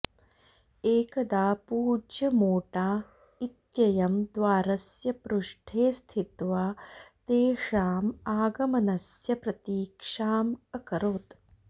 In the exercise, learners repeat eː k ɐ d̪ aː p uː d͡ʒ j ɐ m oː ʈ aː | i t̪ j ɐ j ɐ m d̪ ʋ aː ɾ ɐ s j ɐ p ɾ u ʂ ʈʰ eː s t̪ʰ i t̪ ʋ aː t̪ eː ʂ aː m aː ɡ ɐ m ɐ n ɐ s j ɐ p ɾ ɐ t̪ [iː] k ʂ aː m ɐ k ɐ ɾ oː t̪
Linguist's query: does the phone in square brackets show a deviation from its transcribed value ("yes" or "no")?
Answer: no